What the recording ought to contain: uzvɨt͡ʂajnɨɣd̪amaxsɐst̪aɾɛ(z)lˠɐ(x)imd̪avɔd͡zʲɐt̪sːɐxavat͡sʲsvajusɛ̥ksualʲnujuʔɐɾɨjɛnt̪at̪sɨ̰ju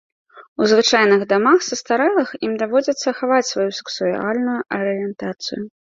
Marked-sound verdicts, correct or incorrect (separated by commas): incorrect, correct